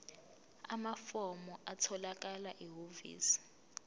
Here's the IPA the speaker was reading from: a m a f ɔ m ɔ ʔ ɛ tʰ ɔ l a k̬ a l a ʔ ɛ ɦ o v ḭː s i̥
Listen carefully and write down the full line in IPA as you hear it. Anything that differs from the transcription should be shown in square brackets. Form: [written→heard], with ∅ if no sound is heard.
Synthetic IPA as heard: a m a f ɔ m ɔ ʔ [ɛ→a] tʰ ɔ l a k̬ a l a ʔ [ɛ→i] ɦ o v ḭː s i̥